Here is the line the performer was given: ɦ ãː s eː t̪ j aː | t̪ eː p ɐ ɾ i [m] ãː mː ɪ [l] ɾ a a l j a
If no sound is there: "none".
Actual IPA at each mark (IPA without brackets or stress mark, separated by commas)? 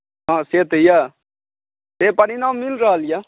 n, l